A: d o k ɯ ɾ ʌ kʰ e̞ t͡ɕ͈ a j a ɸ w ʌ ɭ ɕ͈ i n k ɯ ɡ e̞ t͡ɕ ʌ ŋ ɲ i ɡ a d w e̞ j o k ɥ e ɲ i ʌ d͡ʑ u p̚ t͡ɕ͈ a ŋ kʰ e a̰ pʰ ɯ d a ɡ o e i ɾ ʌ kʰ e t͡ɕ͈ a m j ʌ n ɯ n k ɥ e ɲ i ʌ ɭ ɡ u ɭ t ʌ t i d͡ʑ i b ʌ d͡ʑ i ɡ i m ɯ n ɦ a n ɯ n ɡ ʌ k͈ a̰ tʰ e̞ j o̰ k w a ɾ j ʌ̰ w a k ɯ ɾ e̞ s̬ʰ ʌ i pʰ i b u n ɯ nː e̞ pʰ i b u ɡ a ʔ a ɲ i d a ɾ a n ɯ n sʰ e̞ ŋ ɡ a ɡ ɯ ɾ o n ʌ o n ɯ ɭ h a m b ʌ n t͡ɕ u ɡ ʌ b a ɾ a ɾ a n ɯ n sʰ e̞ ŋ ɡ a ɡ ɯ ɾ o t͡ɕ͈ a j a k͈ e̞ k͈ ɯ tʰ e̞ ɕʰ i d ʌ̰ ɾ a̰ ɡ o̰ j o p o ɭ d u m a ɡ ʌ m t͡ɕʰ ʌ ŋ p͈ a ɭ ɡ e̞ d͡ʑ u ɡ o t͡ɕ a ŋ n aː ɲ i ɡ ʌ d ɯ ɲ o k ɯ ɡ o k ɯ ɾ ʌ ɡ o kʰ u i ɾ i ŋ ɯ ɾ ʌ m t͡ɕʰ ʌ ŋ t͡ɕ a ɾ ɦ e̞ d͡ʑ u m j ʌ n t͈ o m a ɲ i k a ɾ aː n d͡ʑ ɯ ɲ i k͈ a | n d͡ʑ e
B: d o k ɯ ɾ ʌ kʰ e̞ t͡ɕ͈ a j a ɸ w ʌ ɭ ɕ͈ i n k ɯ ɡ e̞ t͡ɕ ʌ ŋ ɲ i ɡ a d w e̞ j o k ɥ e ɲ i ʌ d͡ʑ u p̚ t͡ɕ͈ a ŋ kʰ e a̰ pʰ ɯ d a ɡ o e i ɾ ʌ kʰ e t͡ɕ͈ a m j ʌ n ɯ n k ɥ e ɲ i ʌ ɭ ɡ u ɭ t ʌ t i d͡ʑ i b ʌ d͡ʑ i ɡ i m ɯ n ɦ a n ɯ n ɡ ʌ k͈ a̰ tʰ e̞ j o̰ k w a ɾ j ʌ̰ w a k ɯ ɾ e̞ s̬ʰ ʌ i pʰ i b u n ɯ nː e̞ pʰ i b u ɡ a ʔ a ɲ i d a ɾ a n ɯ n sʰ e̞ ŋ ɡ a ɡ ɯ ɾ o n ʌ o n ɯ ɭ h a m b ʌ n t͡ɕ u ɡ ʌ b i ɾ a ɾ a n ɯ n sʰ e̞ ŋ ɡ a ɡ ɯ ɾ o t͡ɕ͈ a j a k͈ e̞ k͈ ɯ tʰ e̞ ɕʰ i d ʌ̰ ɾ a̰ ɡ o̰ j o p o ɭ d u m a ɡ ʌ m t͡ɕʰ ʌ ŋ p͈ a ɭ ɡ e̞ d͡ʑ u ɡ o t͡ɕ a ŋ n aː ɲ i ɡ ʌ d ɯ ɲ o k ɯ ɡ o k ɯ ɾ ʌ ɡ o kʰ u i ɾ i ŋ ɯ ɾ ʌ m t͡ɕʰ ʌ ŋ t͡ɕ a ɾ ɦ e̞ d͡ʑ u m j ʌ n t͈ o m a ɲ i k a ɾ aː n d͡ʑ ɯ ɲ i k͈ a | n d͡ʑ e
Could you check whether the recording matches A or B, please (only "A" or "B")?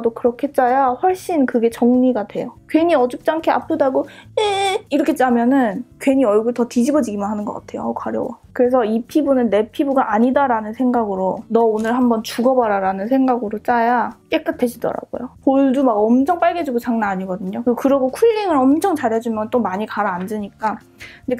A